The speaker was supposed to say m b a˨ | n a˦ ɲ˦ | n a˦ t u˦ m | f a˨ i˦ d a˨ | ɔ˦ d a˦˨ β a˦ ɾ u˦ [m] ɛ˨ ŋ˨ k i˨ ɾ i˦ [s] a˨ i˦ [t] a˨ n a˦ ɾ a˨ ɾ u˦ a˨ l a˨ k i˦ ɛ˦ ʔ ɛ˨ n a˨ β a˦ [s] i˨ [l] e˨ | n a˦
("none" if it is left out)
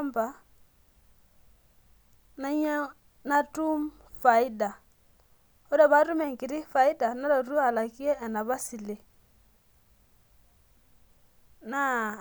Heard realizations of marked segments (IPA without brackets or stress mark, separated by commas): m, f, d, s, l